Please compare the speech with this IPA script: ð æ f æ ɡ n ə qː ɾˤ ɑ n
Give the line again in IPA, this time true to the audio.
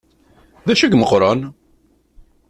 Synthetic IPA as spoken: ð æ ʃ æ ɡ m ə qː ɾˤ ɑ n